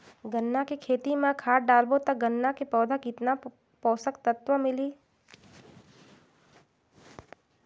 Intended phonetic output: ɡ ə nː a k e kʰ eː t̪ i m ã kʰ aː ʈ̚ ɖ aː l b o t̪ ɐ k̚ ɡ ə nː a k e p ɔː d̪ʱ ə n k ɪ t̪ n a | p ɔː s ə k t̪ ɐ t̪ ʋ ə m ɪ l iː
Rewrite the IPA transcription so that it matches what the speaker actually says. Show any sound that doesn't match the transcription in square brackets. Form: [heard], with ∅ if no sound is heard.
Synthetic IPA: ɡ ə nː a k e kʰ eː t̪ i m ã kʰ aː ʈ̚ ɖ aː l b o t̪ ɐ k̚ ɡ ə nː a k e p ɔː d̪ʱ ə [∅] k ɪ t̪ n a | p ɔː s ə k t̪ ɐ t̪ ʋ ə m ɪ l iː